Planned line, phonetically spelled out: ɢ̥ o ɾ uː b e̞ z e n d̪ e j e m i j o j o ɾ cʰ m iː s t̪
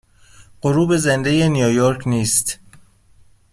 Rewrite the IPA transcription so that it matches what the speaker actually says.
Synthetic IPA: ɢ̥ o ɾ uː b e̞ z e n d̪ e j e n i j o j o ɾ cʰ n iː s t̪